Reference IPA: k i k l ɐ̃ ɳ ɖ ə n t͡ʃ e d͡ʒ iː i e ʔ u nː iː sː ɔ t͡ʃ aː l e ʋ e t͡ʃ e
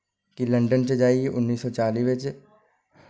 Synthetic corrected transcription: k i l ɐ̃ ɳ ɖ ə n t͡ʃ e d͡ʒ aː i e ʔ ʊ nː iː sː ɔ t͡ʃ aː l i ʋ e t͡ʃ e